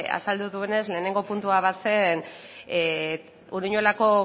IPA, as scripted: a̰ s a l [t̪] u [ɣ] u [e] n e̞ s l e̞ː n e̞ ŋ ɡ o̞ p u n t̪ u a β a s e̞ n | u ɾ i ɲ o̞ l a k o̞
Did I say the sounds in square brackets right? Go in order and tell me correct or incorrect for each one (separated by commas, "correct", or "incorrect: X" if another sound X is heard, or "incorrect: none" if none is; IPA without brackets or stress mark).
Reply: incorrect: d̪, incorrect: ð, correct